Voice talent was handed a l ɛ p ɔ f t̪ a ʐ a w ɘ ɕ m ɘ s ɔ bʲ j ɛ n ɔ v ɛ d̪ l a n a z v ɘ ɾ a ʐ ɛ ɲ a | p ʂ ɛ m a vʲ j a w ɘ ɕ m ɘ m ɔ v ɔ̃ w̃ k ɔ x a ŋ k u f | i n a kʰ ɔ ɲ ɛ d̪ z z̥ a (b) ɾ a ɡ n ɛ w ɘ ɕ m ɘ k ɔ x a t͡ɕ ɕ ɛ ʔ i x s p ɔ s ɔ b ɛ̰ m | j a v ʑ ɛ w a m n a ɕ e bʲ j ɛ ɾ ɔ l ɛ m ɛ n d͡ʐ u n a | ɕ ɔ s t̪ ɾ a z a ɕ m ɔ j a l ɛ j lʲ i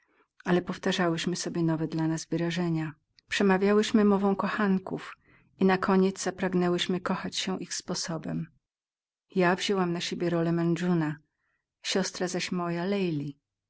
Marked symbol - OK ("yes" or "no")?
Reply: no